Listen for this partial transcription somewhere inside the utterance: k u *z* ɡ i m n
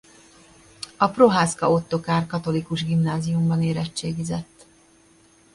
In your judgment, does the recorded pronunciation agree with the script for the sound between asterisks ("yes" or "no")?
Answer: no